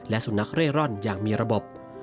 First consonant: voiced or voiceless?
voiced